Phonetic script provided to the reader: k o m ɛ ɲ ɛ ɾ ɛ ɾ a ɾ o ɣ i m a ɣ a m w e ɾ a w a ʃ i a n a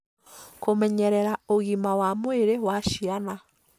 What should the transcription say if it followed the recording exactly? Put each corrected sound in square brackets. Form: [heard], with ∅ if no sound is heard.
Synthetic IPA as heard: k o m ɛ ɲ ɛ ɾ ɛ ɾ a [∅] o ɣ i m a [w] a m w e ɾ [e] w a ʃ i a n a